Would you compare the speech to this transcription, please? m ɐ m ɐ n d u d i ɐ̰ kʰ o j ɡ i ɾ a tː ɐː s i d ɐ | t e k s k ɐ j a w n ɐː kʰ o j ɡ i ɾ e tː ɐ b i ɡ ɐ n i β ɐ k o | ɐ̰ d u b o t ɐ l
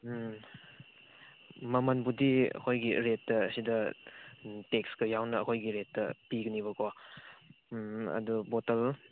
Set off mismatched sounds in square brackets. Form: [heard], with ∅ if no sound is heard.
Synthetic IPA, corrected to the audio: m ɐ m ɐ n [b] u d i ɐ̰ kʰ o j ɡ i ɾ [e] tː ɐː s i d ɐ | t e k s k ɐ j a w n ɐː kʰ o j ɡ i ɾ e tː ɐ [p] i ɡ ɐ n i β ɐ k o | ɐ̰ d u b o t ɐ l